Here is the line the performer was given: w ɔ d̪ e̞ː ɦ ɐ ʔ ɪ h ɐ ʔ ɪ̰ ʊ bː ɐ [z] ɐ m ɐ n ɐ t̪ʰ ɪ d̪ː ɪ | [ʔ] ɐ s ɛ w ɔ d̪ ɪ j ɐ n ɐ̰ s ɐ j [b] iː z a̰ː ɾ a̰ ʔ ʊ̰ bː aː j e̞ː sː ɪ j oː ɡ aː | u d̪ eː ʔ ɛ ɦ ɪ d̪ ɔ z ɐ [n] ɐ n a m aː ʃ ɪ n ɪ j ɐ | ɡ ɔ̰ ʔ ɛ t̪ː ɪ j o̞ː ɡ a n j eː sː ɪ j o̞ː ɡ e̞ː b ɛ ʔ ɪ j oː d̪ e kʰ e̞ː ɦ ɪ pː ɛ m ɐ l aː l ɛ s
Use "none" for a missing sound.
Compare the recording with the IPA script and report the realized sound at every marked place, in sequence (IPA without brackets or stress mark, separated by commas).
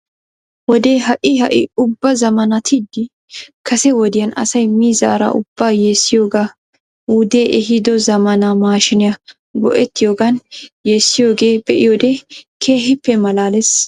z, k, m, m